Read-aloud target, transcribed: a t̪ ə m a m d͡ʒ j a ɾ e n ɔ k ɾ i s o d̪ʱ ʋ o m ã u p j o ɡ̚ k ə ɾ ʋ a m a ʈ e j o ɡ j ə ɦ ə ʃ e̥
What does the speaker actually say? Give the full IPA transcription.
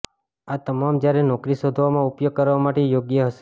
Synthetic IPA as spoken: a t̪ ə m a m d͡ʒ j a ɾ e n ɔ k ɾ i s o d̪ʱ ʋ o m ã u p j o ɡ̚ k ə ɾ ʋ a m a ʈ e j o ɡ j ə ɦ ə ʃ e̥